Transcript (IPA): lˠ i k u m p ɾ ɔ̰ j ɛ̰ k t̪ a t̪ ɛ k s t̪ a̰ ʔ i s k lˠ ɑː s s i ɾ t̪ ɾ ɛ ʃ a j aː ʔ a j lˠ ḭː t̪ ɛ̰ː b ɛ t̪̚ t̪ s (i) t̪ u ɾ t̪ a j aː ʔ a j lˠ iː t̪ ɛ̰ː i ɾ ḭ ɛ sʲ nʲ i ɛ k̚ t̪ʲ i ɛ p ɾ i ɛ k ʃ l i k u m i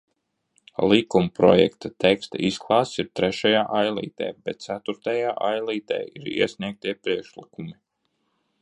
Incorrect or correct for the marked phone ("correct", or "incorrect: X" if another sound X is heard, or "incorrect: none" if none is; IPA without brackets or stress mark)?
incorrect: æ